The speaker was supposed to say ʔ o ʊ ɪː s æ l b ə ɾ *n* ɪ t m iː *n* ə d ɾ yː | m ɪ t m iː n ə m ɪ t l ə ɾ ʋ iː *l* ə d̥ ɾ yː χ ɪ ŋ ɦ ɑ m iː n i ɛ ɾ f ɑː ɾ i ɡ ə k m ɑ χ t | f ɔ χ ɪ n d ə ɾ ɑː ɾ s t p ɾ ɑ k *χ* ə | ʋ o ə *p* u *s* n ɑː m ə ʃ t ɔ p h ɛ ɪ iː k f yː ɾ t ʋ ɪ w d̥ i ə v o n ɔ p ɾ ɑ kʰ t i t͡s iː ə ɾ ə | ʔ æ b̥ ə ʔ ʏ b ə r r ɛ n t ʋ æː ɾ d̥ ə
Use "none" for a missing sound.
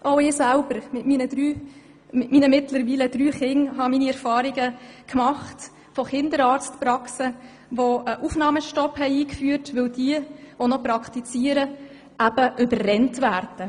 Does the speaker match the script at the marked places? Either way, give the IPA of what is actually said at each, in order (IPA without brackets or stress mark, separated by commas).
m, n, l, s, ʔ, f